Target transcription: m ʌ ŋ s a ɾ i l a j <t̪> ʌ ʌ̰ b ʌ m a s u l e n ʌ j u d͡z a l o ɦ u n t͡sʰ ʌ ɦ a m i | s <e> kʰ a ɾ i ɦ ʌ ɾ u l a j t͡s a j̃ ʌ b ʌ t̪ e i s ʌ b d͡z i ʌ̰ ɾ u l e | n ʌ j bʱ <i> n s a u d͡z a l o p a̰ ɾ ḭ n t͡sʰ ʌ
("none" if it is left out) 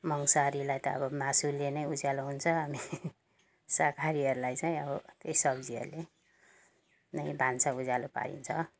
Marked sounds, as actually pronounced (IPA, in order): t̪, a, a

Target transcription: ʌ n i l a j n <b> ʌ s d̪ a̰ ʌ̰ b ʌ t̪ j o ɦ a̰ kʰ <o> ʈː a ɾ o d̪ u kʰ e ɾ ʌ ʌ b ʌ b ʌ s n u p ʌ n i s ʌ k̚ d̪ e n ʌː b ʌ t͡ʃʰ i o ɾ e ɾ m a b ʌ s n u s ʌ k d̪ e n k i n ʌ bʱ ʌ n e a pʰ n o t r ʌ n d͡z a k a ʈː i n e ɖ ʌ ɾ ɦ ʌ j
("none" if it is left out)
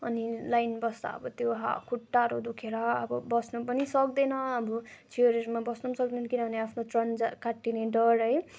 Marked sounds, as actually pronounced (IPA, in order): b, u

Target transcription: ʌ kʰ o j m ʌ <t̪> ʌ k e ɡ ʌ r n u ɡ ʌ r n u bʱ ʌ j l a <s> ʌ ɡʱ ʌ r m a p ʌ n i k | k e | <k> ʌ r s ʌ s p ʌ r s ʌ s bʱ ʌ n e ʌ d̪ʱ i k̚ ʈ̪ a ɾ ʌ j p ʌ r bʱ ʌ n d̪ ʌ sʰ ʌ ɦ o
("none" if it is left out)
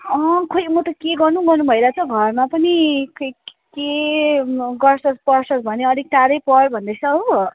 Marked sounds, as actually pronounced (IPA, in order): t̪, t͡s, ɡ

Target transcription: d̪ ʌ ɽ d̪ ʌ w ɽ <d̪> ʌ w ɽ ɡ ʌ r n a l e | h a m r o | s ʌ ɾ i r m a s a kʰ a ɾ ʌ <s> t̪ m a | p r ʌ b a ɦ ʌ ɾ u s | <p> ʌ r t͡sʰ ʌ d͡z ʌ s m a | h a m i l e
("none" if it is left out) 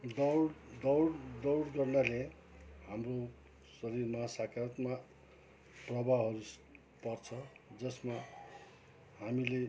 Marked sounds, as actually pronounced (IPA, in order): d̪, none, p

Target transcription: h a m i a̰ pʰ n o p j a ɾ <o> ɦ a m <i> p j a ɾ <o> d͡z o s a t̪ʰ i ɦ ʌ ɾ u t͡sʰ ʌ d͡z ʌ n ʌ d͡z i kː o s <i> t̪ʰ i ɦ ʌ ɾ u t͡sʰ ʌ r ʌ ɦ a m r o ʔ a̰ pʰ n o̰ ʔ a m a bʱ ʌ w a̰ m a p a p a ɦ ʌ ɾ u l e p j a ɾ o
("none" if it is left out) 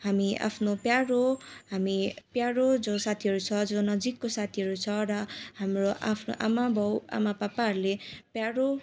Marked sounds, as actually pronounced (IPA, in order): o, i, o, a

